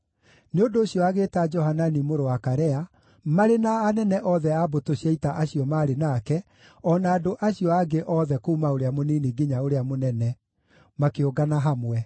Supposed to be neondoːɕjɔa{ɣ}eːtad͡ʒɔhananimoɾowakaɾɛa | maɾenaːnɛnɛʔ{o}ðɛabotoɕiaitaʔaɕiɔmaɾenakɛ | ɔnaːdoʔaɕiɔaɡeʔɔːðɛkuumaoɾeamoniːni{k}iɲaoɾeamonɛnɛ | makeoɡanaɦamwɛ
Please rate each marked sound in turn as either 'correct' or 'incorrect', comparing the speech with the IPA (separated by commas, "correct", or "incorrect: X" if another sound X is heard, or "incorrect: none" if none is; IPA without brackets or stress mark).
correct, incorrect: ɔ, incorrect: ɡ